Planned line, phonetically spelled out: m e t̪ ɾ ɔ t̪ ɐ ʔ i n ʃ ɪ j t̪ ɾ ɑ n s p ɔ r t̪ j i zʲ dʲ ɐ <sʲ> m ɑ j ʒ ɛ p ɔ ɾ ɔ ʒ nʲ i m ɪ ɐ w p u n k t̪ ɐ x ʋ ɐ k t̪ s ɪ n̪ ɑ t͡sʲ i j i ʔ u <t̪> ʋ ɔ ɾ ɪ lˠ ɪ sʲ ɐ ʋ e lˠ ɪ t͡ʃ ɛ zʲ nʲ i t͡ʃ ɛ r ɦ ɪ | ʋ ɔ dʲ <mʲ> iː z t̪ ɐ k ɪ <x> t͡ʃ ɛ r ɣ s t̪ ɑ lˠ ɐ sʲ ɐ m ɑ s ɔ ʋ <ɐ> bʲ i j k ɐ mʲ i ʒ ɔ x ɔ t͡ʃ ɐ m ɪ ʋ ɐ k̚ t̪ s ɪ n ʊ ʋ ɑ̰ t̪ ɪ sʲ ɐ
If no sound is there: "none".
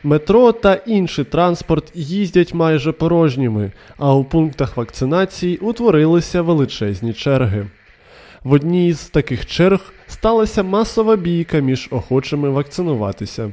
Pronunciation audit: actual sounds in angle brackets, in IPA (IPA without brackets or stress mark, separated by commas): tʲ, t̪, nʲ, x, ɐ